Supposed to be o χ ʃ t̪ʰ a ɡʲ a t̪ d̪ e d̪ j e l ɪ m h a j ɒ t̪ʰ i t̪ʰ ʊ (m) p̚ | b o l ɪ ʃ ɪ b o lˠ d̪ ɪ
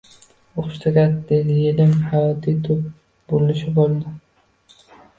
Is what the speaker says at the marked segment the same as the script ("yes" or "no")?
no